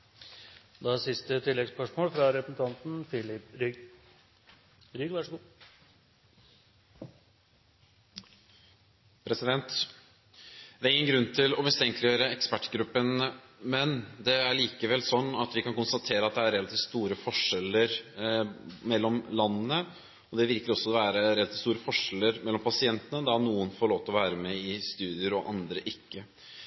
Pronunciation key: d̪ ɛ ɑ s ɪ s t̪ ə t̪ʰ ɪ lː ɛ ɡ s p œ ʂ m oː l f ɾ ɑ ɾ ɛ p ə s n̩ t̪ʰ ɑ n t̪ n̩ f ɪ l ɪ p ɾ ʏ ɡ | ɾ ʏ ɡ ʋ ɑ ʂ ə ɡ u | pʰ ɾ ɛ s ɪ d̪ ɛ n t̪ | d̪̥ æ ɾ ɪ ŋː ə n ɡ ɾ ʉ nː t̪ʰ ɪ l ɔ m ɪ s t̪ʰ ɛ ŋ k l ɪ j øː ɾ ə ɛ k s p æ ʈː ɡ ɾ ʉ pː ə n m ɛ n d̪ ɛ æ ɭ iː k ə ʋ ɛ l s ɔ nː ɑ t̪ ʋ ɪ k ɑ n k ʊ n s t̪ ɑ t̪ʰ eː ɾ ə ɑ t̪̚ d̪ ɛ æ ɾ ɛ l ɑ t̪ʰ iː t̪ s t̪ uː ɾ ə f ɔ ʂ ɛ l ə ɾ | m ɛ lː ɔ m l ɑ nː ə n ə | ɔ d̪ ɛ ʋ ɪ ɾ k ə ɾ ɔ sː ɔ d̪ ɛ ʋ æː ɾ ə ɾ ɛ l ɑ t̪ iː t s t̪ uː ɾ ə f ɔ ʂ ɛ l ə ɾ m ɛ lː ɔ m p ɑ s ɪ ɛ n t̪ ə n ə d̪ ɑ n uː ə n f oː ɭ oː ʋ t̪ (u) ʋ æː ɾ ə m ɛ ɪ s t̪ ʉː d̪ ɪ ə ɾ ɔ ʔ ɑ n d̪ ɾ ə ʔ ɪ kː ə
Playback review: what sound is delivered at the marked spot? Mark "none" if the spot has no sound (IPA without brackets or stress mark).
ɔ